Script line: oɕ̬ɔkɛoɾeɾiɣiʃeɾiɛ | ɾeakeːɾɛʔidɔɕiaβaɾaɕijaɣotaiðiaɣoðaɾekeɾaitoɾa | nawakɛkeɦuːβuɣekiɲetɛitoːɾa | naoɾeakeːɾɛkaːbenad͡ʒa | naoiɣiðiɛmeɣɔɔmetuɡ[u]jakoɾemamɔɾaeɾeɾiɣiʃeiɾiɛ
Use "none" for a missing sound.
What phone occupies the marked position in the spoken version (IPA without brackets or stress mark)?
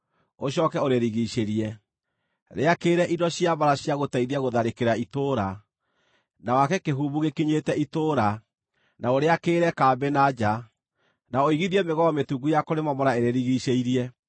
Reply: u